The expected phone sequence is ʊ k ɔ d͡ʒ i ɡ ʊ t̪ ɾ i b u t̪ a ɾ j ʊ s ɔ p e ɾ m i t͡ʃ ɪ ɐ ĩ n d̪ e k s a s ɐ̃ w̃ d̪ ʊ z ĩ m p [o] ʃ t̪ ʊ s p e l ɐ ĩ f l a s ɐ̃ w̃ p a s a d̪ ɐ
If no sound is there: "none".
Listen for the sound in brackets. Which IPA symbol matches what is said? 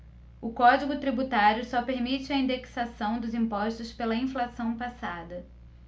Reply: ɔ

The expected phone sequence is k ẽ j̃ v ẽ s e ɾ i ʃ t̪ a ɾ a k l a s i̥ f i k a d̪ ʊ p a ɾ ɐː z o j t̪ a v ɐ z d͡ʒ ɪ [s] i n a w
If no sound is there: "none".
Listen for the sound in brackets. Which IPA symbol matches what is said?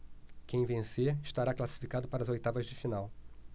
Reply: f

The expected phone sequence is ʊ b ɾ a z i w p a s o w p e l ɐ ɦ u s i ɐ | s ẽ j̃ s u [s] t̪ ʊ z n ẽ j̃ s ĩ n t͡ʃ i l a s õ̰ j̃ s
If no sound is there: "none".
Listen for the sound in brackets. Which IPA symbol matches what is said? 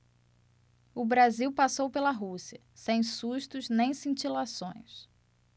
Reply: ʃ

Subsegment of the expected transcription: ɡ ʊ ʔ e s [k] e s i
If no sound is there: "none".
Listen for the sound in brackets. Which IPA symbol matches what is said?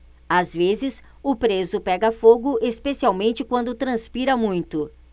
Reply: p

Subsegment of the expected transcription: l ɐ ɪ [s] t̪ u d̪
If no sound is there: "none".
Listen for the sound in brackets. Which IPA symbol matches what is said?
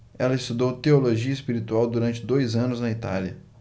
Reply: s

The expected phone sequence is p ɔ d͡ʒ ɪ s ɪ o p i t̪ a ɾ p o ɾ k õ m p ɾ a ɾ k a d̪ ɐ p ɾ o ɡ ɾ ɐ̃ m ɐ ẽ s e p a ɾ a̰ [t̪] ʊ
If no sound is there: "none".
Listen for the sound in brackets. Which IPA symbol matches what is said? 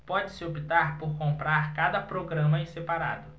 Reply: d̪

